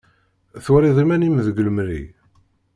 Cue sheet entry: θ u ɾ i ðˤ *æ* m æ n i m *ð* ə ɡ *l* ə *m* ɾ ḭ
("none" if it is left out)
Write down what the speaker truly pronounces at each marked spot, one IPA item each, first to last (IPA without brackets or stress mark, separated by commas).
i, ð, l, m